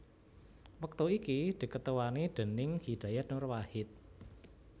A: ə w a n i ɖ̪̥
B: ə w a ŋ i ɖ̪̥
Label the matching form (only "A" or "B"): A